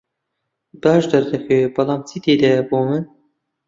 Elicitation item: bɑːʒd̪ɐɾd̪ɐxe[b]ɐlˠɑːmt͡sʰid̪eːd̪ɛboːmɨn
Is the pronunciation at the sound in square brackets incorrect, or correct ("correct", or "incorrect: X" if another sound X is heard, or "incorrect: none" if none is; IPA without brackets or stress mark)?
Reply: correct